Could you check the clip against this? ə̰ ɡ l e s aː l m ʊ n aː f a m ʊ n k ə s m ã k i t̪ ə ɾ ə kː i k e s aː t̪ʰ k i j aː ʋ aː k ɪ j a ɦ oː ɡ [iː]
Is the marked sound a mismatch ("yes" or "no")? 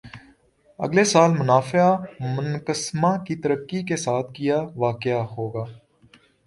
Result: yes